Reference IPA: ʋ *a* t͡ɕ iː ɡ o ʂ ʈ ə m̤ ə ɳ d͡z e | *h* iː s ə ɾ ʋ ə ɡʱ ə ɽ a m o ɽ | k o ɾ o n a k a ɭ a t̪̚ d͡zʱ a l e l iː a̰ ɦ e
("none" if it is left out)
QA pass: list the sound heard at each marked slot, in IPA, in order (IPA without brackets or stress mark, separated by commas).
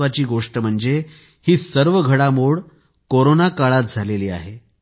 a, h